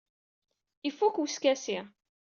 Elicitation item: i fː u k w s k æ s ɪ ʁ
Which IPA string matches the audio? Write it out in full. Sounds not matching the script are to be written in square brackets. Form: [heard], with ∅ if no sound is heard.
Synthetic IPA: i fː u k w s k æ s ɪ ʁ